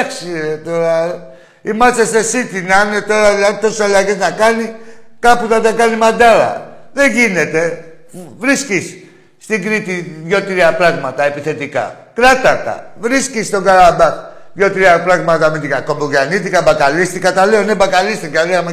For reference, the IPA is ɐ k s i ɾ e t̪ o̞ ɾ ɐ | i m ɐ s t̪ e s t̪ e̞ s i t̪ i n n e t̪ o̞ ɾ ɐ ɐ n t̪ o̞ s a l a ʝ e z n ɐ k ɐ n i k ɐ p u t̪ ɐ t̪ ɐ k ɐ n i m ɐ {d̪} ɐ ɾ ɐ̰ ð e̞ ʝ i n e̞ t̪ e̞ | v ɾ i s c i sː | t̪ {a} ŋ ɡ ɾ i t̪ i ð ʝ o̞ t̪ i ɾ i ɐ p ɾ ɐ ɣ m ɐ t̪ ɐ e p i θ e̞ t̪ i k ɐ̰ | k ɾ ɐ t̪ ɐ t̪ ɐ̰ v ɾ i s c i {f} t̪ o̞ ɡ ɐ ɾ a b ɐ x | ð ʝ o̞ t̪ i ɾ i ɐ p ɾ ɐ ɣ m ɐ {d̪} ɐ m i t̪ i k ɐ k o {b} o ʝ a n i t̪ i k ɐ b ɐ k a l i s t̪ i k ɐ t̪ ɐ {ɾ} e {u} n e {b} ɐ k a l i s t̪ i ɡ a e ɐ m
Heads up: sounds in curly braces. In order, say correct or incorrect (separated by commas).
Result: correct, incorrect, incorrect, incorrect, correct, incorrect, incorrect, correct